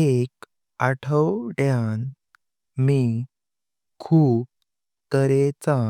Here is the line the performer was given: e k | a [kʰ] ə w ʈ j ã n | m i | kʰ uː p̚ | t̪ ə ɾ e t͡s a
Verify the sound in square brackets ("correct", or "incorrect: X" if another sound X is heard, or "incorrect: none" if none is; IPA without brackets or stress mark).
incorrect: ʈʰ